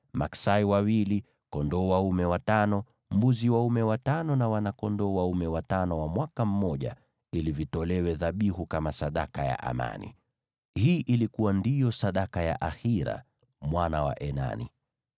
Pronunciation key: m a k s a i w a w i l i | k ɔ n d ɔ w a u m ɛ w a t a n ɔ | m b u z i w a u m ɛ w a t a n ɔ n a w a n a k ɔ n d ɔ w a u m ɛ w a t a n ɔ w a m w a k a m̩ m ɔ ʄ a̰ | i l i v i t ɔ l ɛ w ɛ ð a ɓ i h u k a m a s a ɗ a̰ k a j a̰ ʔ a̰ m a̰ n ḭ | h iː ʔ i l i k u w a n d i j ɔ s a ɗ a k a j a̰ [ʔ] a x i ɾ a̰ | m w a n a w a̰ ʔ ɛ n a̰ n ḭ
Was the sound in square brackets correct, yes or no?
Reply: yes